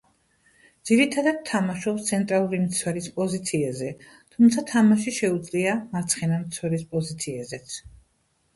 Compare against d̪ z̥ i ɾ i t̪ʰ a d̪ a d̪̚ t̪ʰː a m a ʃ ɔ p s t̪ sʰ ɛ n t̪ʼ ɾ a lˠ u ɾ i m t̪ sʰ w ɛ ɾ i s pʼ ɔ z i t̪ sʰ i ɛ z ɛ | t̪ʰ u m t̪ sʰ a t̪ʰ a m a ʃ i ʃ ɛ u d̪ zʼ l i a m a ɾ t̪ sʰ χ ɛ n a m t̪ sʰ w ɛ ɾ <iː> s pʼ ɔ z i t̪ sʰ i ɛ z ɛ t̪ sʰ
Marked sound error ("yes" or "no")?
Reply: yes